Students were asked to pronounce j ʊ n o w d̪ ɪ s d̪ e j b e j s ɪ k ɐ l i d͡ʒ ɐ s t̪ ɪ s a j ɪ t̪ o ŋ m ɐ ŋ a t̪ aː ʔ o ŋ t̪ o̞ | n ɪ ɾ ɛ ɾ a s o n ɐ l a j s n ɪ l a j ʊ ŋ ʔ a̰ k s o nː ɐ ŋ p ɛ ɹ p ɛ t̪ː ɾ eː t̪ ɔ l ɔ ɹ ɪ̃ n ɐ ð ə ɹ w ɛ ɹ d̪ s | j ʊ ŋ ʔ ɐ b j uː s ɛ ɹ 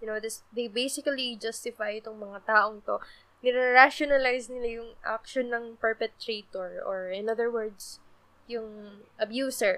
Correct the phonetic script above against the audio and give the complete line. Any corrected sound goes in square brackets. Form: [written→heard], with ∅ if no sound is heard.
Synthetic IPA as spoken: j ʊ n o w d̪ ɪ s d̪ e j b e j s ɪ k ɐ l i d͡ʒ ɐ s t̪ ɪ [s→f] a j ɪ t̪ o ŋ m ɐ ŋ a t̪ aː ʔ o ŋ t̪ o̞ | n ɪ ɾ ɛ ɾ a [s→ʃ] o n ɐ l a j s n ɪ l a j ʊ ŋ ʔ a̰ k [s→ʃ] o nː ɐ ŋ p ɛ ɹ p ɛ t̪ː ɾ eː t̪ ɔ [l→ɹ] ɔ ɹ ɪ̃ n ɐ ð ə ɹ w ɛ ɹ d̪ s | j ʊ ŋ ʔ ɐ b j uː s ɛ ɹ